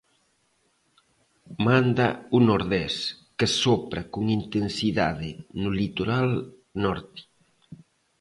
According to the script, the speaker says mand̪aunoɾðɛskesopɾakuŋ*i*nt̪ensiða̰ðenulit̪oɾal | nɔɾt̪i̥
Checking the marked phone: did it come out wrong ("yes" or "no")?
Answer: no